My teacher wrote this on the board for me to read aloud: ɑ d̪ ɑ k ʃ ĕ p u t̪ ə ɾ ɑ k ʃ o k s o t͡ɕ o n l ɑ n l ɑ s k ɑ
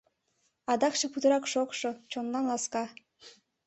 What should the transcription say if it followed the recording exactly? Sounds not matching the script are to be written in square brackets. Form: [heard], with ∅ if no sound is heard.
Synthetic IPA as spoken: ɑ d̪ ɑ k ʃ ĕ p u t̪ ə ɾ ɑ k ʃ o k [ʃ] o t͡ɕ o n l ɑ n l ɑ s k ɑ